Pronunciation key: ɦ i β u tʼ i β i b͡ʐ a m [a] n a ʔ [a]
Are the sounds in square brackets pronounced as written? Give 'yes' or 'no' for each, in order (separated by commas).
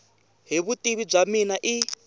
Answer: no, no